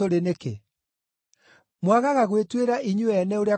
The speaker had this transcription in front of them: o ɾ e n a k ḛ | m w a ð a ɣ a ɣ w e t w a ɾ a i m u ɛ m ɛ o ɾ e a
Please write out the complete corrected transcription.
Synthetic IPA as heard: o ɾ e n e k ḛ | m w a ɣ a ɣ a ɣ w e t w e ɾ a i ɲ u ɛ n ɛ o ɾ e a